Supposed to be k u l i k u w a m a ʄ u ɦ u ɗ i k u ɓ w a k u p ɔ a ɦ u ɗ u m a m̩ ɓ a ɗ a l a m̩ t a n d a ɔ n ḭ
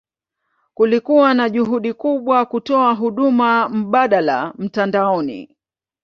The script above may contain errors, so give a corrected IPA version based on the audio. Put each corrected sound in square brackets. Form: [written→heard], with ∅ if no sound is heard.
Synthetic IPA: k u l i k u w a [m→n] a ʄ u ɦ u ɗ i k u ɓ w a k u [p→t] ɔ a ɦ u ɗ u m a m̩ ɓ a ɗ a l a m̩ t a n d a ɔ n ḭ